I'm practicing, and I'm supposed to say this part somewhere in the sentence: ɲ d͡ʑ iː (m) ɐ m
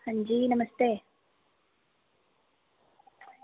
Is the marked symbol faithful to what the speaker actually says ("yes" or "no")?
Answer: no